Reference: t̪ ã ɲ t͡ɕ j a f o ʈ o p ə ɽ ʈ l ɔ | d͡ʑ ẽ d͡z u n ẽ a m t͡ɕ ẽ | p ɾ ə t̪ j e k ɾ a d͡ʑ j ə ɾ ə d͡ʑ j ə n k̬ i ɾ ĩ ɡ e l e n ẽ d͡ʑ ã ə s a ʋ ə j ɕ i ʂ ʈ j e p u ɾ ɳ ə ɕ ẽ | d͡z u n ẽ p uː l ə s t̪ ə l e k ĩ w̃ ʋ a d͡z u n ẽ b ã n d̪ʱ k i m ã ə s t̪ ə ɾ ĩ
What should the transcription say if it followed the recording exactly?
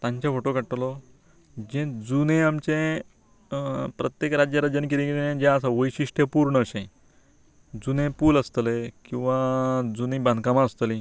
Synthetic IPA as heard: t̪ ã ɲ t͡ɕ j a f o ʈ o k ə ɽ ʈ l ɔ | d͡ʑ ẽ d͡z u n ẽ a m t͡ɕ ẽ | p ɾ ə t̪ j e k ɾ a d͡ʑ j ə ɾ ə d͡ʑ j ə n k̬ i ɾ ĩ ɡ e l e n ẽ d͡ʑ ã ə s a ʋ ə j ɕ i ʂ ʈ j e p u ɾ ɳ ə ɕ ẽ | d͡z u n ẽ p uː l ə s t̪ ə l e k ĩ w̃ ʋ a d͡z u n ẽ b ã n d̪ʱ k a m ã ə s t̪ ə l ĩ